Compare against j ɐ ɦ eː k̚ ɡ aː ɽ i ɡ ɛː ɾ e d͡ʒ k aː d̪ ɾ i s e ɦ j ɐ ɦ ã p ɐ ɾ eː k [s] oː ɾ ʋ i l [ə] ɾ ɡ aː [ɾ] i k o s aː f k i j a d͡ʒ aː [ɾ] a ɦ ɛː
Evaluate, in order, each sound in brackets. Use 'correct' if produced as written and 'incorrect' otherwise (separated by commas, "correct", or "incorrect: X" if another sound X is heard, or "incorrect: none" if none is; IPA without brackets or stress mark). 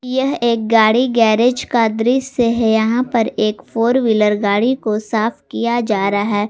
incorrect: f, correct, incorrect: ɽ, correct